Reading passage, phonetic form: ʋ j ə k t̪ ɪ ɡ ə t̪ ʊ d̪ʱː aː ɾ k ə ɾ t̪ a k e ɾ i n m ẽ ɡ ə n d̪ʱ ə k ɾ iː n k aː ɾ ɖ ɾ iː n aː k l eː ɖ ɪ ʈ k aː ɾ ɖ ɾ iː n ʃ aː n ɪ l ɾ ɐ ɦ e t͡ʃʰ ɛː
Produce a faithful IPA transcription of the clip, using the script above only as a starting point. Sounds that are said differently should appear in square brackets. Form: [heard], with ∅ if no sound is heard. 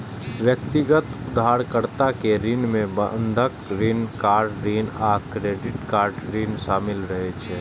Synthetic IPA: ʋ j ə k t̪ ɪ ɡ ə t̪ ʊ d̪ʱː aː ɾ k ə ɾ t̪ a k e ɾ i n m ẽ [b] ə n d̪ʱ ə k ɾ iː n k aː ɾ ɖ ɾ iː n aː k [ɾ] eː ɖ ɪ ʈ k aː ɾ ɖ ɾ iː n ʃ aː [m] ɪ l ɾ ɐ ɦ e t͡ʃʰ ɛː